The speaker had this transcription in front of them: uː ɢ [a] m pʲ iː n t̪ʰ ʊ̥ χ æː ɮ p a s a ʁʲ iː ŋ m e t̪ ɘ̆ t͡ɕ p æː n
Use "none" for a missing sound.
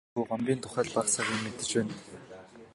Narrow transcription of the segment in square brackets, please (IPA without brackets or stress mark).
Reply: a